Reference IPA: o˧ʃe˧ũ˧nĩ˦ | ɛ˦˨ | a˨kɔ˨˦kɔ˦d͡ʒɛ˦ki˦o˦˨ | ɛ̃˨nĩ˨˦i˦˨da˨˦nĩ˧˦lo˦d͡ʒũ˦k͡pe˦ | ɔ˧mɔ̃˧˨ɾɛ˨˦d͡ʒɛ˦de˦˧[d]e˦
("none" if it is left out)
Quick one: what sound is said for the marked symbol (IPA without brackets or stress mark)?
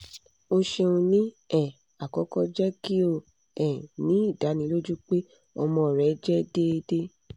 d